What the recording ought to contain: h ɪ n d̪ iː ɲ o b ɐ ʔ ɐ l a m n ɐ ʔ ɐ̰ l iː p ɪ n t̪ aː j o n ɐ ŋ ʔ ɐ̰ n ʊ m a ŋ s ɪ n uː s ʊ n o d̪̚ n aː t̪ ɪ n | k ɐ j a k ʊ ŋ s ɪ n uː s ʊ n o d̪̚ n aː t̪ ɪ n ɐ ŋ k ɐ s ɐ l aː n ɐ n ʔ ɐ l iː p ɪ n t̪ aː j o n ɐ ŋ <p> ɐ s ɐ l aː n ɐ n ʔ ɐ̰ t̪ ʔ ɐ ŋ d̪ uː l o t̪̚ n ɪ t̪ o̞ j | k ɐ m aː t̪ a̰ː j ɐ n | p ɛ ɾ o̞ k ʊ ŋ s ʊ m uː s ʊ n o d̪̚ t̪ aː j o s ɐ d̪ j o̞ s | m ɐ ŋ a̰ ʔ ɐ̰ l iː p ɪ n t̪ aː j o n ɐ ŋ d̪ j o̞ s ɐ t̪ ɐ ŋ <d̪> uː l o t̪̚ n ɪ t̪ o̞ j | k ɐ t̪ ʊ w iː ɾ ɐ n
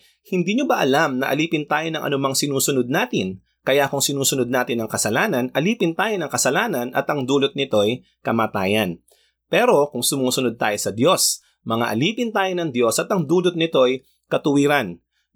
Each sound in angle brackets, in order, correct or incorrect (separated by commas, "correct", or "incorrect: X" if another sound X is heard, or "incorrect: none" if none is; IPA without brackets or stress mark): incorrect: k, correct